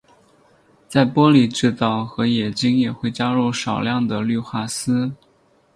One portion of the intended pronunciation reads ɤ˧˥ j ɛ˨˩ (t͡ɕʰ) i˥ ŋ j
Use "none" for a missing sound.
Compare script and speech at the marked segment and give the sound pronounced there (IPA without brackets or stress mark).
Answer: t͡ɕ